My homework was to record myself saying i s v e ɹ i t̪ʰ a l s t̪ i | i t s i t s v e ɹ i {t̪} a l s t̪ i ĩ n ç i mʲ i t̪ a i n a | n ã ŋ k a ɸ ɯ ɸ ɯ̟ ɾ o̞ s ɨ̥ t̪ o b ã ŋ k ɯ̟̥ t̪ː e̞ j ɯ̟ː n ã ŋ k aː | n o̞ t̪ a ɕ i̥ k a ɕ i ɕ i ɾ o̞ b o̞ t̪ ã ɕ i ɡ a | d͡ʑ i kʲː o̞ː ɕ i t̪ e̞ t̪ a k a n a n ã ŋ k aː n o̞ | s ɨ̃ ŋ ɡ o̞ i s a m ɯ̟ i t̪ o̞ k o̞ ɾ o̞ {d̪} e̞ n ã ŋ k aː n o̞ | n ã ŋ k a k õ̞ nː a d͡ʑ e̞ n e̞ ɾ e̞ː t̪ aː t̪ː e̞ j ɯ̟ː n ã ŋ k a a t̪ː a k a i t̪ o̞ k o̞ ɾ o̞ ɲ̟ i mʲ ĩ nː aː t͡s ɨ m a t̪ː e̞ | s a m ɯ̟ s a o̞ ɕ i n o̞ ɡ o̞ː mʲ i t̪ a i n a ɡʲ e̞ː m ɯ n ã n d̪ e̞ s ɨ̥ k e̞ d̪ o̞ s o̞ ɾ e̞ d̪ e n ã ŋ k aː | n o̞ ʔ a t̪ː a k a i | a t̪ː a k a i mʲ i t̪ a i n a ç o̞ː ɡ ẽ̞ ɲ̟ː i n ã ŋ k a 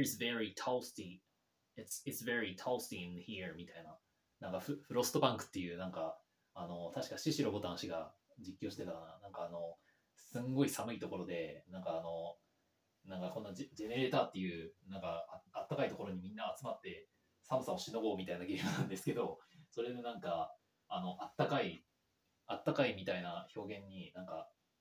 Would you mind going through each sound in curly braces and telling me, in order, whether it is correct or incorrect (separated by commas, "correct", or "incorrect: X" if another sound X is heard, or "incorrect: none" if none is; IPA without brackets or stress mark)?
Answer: incorrect: t̪ʰ, correct